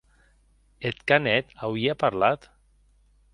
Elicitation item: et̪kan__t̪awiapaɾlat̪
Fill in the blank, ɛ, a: ɛ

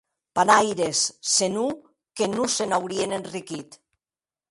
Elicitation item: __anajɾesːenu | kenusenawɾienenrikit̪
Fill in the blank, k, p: p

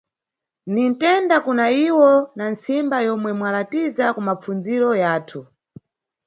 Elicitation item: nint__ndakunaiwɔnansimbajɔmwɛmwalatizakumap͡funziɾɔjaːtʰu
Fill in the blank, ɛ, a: ɛ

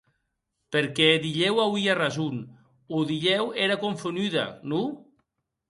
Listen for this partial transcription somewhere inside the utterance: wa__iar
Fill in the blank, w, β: w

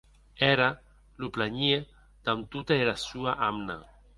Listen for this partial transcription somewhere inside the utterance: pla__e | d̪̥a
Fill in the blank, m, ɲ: ɲ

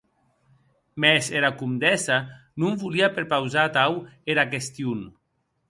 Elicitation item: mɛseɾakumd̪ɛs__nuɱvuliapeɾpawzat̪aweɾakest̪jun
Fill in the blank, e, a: a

